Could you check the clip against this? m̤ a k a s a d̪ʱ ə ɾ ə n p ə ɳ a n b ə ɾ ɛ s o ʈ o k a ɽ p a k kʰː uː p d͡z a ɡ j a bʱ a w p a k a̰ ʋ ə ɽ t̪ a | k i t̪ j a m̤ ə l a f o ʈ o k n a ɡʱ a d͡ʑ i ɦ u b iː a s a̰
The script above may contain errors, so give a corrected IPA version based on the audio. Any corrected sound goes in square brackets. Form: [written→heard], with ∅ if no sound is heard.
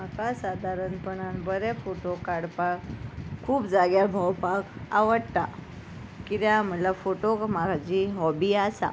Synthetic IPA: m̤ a k a s a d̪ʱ [ə→a] ɾ ə n p ə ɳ a n b ə ɾ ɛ [s→f] o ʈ o k a ɽ p a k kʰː uː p d͡z a ɡ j a bʱ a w p a k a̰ ʋ ə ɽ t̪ a | k i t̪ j a m̤ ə l a f o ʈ o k [n→m] a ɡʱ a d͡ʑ i ɦ [u→ɔ] b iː a s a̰